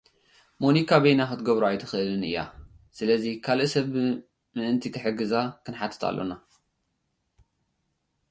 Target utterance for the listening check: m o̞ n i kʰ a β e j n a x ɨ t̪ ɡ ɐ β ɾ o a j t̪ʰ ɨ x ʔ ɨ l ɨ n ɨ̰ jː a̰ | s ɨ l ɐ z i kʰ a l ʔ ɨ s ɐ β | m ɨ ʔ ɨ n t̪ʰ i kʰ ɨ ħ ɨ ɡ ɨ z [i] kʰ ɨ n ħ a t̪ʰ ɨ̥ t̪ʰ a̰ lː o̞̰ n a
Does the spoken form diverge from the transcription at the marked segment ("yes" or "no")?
yes